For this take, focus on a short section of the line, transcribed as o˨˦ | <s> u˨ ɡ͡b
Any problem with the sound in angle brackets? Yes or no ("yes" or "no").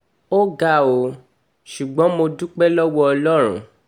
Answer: yes